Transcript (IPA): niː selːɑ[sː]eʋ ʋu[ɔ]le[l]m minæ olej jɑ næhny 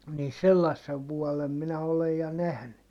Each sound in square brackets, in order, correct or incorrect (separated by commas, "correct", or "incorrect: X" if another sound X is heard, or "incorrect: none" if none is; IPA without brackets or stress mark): correct, correct, incorrect: none